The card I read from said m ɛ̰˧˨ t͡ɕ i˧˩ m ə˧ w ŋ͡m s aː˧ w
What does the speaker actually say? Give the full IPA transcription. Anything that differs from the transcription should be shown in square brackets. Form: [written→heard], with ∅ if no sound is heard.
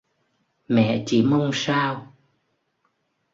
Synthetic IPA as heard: m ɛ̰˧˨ t͡ɕ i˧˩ m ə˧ w ŋ͡m s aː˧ w